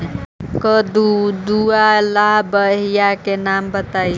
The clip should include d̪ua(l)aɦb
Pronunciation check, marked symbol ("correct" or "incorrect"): correct